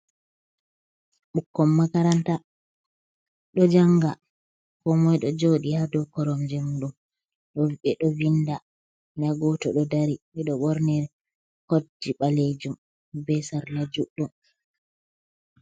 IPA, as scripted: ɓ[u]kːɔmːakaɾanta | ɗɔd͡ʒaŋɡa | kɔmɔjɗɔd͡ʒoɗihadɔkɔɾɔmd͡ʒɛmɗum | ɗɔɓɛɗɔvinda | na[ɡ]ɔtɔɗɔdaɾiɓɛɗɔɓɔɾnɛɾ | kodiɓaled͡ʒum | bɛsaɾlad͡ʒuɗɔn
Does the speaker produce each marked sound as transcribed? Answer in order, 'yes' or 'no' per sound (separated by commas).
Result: yes, yes